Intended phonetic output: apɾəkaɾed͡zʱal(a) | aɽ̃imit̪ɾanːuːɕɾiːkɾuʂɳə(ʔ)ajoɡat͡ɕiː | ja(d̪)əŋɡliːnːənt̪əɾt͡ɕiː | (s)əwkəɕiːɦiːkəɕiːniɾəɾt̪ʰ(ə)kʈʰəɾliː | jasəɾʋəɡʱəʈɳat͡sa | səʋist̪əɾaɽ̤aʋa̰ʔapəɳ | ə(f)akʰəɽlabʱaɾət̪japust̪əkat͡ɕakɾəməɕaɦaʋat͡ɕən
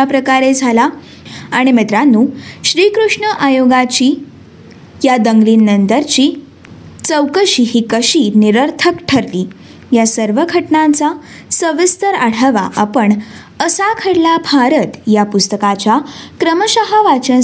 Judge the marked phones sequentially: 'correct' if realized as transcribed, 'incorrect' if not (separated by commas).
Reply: correct, correct, correct, incorrect, correct, incorrect